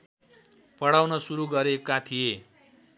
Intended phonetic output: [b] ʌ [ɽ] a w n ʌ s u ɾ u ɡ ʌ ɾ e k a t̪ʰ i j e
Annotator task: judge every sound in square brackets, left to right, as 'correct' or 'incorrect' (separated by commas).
incorrect, correct